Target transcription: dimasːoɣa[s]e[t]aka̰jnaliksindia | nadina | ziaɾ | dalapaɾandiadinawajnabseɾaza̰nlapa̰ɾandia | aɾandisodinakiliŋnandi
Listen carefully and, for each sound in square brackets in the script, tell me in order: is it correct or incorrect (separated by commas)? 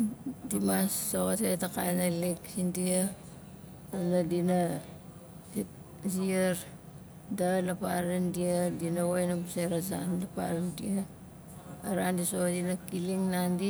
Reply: incorrect, correct